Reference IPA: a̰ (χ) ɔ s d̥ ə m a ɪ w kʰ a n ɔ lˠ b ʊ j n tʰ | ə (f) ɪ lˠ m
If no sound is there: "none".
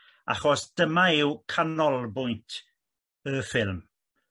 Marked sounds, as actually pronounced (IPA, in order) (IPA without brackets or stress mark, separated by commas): χ, f